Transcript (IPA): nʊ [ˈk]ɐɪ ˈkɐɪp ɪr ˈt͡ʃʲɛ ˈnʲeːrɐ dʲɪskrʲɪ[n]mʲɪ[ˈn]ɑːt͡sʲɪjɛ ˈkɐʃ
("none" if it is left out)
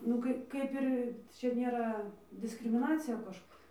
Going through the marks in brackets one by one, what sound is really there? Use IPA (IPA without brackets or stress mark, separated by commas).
k, none, n